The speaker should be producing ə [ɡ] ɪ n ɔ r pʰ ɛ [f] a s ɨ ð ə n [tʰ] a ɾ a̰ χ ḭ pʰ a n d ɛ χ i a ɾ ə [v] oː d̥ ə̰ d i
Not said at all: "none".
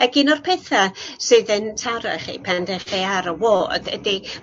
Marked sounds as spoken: ɡ, θ, tʰ, w

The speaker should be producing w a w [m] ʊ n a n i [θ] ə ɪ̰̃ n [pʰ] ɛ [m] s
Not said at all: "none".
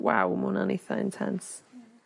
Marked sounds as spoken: m, θ, tʰ, n

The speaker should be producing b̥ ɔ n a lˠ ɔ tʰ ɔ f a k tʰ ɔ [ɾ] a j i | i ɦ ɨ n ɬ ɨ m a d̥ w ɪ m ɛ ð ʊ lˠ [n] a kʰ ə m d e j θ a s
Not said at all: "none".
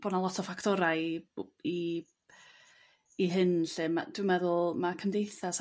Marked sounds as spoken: ɾ, m

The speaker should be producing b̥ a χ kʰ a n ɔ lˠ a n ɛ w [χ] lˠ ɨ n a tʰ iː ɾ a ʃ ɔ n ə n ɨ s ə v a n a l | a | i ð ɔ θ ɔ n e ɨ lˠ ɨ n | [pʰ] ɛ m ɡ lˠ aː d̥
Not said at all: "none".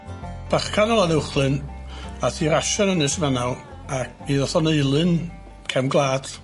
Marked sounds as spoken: χ, kʰ

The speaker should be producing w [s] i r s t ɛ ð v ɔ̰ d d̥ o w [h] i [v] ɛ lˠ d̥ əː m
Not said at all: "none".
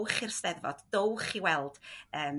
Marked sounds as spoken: χ, χ, w

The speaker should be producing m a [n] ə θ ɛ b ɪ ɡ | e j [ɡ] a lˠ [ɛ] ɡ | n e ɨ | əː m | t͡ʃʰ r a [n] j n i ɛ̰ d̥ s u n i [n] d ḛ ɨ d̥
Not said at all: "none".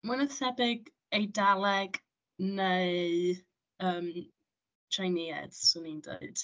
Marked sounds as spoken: n, d, ɛ, none, n

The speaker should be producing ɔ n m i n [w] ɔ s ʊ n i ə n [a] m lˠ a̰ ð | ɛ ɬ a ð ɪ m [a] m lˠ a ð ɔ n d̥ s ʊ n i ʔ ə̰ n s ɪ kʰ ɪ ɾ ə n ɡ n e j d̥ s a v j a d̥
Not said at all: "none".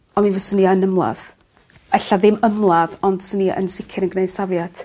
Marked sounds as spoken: v, ə, ə

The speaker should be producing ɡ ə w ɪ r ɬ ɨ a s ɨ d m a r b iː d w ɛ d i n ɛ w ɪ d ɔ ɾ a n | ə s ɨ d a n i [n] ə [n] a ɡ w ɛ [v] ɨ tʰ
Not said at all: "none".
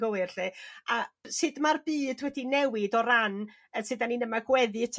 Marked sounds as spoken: n, m, ð

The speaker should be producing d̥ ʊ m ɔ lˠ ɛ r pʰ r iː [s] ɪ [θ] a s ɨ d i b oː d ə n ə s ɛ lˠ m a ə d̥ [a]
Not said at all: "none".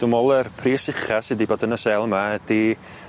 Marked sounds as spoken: s, χ, i

